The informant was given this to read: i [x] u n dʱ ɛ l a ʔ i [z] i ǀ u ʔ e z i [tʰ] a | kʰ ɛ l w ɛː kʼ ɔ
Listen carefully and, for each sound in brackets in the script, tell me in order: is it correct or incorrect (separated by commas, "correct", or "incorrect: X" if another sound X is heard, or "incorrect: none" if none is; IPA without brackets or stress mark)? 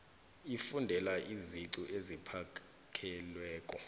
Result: incorrect: f, correct, incorrect: pʰ